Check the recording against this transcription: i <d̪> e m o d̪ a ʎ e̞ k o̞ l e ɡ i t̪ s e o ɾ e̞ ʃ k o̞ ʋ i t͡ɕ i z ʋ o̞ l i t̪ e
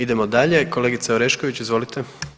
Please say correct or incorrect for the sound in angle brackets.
correct